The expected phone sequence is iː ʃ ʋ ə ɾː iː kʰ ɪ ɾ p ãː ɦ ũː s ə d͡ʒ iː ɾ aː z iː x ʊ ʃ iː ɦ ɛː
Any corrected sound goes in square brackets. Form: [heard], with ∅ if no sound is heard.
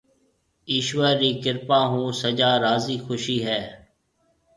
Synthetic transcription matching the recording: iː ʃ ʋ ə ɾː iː [k] ɪ ɾ p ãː ɦ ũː s ə d͡ʒ [aː] ɾ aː z iː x ʊ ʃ iː ɦ ɛː